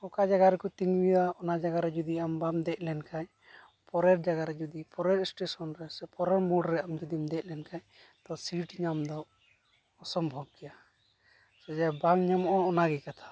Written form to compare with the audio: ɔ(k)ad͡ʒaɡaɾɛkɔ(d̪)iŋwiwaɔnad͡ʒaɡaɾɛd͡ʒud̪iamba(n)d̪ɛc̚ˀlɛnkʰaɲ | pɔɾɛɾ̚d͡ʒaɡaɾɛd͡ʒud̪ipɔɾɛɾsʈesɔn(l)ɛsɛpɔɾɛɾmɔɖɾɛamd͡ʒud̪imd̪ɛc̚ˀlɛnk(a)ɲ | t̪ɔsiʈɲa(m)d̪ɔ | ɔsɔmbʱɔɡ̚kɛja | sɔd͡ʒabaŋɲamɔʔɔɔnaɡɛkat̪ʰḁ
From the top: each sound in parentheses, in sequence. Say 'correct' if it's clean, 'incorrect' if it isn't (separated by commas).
correct, incorrect, incorrect, incorrect, correct, correct